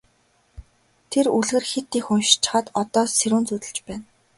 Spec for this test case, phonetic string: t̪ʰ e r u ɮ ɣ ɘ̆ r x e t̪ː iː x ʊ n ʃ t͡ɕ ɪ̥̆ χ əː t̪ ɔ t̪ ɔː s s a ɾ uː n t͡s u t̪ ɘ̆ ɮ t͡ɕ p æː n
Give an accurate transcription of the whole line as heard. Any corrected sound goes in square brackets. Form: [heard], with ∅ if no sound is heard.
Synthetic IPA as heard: t̪ʰ e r u ɮ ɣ ɘ̆ r x e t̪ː iː x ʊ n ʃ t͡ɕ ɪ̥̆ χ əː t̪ ɔ t̪ ɔː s s [e] ɾ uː n t͡s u t̪ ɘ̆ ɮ t͡ɕ p æː n